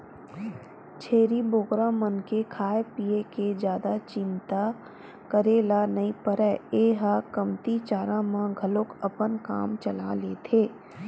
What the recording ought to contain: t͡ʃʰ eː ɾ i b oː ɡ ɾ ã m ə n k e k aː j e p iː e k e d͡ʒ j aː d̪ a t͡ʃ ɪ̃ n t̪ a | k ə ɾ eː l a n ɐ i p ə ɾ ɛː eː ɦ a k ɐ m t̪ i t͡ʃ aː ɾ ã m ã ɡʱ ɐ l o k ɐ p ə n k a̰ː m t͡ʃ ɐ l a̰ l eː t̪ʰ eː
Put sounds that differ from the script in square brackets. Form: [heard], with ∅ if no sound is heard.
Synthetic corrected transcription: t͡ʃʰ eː ɾ i b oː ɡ ɾ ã m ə n k e [kʰ] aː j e p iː e k e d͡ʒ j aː d̪ a t͡ʃ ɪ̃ n t̪ a | k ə ɾ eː l a n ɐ i p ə ɾ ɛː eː ɦ a k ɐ m t̪ i t͡ʃ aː ɾ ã m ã ɡʱ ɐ l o k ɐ p ə n k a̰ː m t͡ʃ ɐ l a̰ l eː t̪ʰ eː